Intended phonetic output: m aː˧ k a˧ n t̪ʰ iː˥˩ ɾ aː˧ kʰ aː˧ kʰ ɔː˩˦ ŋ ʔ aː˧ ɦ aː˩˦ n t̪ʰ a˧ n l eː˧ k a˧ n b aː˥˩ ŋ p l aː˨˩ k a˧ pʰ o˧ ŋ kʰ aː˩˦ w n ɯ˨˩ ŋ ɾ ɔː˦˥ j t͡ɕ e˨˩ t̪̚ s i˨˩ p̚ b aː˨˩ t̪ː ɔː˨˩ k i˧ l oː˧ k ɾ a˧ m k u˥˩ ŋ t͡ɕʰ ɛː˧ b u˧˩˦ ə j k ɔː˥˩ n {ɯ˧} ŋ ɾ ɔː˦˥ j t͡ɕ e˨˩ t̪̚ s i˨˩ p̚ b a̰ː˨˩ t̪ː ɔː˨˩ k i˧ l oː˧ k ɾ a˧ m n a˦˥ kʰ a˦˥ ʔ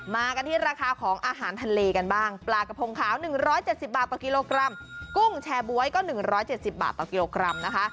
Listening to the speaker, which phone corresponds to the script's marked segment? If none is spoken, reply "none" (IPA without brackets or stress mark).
ɯ˨˩